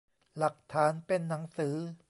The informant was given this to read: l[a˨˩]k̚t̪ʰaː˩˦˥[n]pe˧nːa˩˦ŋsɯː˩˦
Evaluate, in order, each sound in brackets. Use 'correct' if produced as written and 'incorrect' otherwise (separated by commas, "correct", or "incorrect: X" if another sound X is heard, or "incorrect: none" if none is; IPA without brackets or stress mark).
correct, correct